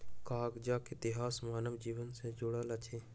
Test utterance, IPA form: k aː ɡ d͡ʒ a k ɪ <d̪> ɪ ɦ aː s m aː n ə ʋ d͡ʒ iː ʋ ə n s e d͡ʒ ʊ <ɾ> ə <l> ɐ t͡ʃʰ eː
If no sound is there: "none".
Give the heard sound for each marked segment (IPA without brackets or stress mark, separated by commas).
t̪, ɽ, l